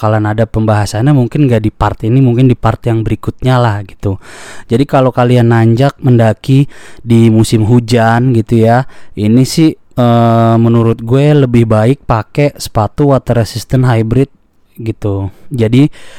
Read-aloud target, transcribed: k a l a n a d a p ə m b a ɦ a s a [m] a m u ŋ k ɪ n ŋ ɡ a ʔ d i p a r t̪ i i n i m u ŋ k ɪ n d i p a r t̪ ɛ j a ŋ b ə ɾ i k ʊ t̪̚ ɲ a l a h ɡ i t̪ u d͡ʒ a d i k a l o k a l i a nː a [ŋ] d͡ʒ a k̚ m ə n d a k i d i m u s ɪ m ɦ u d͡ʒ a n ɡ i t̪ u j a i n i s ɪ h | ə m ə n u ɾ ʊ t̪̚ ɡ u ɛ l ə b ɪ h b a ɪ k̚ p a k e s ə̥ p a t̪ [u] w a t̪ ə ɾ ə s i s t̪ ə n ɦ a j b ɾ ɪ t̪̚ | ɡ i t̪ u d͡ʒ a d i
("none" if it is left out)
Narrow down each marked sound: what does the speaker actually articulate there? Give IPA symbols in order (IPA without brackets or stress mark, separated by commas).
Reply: ɲ, ɲ, u